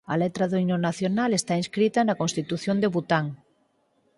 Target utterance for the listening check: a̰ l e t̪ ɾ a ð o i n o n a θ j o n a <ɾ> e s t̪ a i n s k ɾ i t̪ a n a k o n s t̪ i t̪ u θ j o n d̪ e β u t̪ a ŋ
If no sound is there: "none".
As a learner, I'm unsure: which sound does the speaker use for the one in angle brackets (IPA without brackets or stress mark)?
l